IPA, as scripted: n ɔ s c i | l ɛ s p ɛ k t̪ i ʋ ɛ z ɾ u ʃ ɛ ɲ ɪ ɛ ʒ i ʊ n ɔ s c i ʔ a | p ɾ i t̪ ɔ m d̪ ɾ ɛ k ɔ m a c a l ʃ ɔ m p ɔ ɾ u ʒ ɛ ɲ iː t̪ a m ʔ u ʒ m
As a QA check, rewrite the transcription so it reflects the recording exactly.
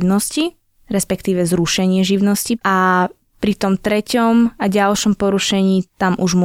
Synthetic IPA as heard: n ɔ s c i | ɾ ɛ s p ɛ k t̪ iː ʋ ɛ z ɾ u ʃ ɛ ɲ ɪ ɛ ʒ i ʊ n ɔ s c i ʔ a | p ɾ i t̪ ɔ m t̪ ɾ ɛ c ɔ m a ɟ a l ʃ ɔ m p ɔ ɾ u ʃ ɛ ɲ iː t̪ a m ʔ u ʒ m